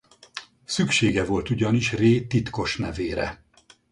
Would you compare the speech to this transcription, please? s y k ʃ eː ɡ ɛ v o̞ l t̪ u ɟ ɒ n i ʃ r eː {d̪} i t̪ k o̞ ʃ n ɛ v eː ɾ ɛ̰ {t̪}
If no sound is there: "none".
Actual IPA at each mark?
t̪, none

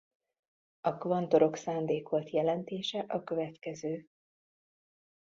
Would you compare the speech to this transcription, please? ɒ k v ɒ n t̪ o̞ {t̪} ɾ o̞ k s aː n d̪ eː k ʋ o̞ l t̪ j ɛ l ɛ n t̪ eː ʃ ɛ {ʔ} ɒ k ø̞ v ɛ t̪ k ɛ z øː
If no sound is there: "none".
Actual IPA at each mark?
none, ʔ

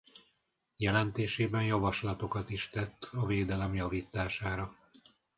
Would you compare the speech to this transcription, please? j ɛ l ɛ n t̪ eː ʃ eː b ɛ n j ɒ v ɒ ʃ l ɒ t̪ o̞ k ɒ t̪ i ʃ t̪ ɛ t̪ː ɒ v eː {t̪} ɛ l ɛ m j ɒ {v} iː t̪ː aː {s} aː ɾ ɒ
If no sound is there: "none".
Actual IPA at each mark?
d̪, v, ʃ

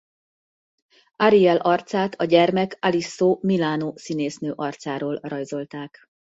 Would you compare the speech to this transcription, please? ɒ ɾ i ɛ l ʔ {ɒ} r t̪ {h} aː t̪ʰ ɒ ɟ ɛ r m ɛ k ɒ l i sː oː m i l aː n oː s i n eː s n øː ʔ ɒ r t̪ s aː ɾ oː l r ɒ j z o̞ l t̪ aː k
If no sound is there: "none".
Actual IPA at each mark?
ɒ, s

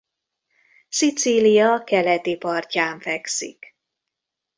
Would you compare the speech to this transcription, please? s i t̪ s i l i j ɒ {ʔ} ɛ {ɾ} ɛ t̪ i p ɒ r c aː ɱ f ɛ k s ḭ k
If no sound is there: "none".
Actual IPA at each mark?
k, l

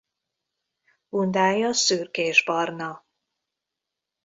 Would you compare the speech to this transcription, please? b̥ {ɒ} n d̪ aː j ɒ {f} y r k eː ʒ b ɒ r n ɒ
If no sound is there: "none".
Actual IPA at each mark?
u, s

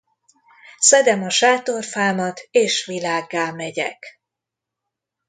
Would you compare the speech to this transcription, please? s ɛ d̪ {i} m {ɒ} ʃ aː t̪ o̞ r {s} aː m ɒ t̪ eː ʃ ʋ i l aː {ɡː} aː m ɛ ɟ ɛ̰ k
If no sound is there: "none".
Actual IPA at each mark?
ɛ, ɒ, f, ɡː

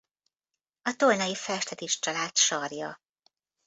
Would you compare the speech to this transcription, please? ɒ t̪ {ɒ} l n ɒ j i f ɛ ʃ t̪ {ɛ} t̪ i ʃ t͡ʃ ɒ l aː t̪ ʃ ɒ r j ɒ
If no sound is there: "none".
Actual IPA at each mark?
o, ɛ

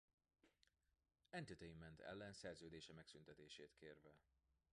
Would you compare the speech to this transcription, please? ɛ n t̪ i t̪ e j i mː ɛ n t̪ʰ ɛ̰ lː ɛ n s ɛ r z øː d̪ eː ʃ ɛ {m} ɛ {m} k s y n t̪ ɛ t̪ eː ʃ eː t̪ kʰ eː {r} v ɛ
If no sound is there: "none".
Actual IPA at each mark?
m, none, r

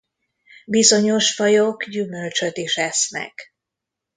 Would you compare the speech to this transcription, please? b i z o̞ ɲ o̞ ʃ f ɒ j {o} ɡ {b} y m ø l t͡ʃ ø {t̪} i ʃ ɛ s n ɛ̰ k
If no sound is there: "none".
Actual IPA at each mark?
o, ɟ, t̪

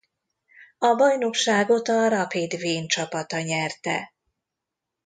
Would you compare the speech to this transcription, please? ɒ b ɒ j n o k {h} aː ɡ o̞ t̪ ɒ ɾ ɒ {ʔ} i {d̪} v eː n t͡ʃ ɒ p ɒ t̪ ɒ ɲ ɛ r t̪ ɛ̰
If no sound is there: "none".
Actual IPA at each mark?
ʃ, p, d̪

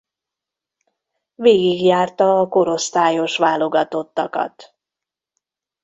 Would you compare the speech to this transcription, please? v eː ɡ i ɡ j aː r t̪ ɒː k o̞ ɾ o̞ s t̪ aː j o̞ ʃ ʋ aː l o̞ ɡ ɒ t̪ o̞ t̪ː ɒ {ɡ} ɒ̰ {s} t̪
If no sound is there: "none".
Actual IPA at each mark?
k, none

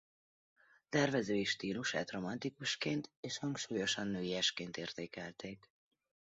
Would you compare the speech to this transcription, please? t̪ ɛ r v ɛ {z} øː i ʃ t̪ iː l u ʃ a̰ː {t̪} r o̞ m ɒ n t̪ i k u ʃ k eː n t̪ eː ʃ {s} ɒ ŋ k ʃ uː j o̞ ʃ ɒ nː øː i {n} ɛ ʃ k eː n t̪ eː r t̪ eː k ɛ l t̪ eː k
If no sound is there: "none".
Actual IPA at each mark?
z, t̪, h, none

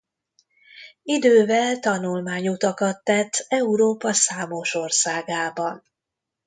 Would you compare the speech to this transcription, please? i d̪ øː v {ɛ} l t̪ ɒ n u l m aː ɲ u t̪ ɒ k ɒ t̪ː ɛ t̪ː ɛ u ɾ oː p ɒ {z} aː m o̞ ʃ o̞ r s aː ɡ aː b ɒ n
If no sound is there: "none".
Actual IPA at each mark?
ɛ, s

